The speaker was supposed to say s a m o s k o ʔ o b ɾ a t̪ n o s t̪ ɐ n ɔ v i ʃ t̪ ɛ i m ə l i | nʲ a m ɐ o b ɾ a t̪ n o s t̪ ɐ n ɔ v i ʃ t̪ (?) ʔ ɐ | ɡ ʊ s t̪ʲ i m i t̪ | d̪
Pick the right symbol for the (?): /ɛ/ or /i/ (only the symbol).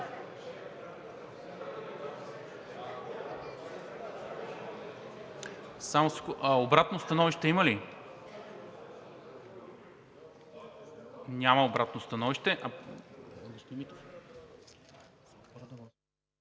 ɛ